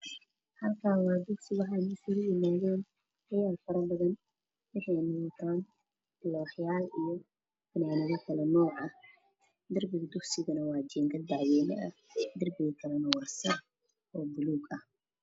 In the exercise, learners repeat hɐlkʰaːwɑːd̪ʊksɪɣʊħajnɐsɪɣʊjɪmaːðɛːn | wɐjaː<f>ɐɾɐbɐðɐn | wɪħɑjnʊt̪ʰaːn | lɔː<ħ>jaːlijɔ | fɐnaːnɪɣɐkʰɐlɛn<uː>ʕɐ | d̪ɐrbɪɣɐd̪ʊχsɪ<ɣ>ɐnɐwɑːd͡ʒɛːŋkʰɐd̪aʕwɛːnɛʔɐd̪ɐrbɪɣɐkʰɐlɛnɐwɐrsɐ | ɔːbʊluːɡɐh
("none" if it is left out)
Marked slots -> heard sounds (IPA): f, ħ, ɔː, ɣ

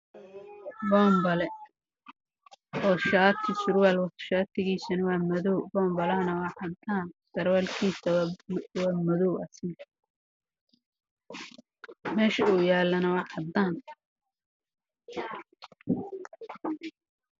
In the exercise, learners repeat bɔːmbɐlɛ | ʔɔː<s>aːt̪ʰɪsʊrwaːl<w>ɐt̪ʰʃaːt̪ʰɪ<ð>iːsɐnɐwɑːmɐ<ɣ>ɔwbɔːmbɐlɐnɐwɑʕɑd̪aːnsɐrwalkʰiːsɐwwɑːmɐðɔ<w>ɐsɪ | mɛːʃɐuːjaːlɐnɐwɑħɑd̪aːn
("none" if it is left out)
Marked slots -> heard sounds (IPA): ʃ, w, ɣ, ð, w

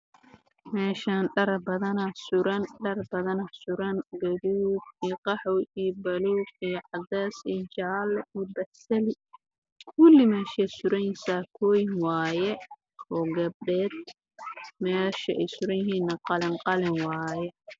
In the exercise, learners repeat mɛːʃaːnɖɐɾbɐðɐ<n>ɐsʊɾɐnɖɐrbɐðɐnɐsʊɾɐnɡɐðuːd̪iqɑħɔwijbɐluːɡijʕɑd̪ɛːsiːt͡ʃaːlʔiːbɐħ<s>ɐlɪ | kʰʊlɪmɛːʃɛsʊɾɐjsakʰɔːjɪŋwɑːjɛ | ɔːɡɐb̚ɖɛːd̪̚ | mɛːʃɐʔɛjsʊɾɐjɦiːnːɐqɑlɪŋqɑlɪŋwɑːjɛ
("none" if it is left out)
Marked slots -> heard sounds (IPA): n, s

